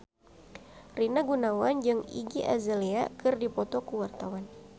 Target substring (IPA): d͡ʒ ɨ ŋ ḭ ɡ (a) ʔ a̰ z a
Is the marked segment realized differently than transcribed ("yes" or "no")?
yes